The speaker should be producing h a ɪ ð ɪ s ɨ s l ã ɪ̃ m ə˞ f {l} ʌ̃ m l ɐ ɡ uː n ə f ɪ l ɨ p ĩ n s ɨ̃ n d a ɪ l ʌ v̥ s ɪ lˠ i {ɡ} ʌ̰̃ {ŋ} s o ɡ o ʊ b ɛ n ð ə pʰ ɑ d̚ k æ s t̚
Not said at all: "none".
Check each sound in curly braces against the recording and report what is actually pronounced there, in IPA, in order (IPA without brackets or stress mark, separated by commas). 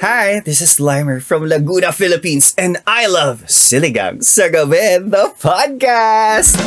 ɹ, ɡ, ŋ